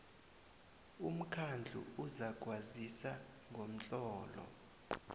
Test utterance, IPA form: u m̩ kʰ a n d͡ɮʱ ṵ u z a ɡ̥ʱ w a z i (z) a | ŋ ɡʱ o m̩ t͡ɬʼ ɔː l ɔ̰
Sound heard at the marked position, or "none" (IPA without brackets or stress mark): s